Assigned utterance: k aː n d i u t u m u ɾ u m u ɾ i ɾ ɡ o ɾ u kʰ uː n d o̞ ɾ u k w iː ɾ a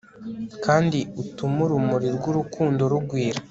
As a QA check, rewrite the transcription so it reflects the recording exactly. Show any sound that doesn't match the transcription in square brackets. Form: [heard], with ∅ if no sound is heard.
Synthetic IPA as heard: k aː n d i u t u m u ɾ u m u ɾ i ɾ ɡ [u] ɾ u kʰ uː n d o̞ ɾ u [ɡ] w iː ɾ a